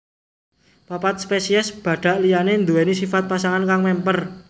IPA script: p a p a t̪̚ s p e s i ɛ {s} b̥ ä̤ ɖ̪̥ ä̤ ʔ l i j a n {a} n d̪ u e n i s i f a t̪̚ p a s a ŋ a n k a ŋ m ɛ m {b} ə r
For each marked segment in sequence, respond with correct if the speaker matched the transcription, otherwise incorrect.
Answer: correct, incorrect, incorrect

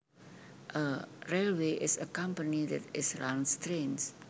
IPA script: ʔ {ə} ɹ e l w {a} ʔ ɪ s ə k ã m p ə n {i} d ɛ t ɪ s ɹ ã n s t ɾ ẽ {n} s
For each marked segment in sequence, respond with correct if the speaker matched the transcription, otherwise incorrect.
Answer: correct, incorrect, correct, correct

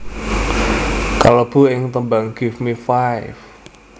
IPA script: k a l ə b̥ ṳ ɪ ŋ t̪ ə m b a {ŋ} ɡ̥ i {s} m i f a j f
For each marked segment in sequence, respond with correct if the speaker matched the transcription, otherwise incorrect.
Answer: correct, incorrect

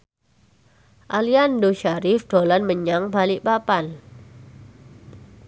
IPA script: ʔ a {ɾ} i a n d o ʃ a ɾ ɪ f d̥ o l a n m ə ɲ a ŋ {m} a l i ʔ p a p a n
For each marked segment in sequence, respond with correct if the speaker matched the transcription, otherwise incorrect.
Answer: incorrect, incorrect

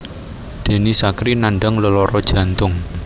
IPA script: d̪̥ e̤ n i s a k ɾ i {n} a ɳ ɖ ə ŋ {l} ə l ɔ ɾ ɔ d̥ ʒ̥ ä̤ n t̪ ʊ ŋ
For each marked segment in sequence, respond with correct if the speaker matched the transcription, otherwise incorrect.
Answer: correct, correct

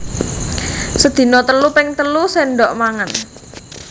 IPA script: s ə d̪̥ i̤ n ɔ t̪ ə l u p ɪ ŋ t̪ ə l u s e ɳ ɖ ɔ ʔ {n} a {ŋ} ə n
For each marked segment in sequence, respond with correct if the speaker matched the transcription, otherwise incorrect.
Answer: incorrect, correct

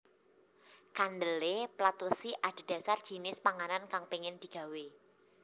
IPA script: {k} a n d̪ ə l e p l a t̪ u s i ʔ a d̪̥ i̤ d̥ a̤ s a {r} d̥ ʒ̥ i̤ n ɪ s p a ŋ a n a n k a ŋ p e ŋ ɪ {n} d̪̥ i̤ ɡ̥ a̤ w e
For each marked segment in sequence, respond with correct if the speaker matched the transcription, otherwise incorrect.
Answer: correct, correct, correct

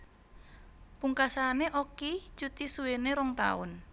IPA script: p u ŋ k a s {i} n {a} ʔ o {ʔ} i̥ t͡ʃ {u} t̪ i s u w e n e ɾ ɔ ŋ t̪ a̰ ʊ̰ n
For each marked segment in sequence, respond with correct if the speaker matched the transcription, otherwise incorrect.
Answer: incorrect, incorrect, incorrect, correct

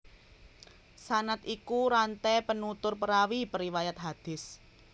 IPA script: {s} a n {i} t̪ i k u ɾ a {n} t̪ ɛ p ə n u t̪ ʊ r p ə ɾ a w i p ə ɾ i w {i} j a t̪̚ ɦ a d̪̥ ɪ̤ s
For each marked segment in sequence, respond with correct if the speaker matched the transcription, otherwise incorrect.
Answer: correct, incorrect, correct, incorrect

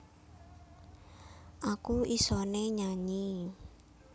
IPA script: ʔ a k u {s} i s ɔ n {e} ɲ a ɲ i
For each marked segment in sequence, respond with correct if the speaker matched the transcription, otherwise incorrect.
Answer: incorrect, correct

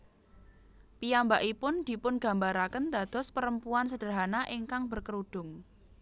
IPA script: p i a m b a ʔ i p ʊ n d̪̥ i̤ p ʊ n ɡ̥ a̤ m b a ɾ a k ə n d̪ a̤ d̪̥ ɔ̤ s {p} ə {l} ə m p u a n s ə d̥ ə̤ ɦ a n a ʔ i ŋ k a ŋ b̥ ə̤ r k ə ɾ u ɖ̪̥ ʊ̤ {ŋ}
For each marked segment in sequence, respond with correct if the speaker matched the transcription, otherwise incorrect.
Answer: correct, incorrect, correct

